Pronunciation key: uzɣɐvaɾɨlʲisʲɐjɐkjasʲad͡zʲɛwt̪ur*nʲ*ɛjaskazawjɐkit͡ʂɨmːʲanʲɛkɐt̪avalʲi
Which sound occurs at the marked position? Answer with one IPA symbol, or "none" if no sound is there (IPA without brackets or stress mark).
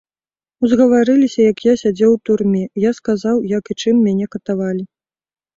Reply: mʲ